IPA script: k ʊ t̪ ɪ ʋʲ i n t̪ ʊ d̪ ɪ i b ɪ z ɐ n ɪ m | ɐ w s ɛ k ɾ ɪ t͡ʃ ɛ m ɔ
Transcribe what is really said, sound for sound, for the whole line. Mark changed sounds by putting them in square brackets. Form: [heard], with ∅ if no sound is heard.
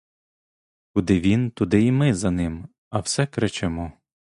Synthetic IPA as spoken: k ʊ [d̪] ɪ ʋʲ i n t̪ ʊ d̪ ɪ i [m] ɪ z ɐ n ɪ m | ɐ w s ɛ k ɾ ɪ t͡ʃ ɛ m ɔ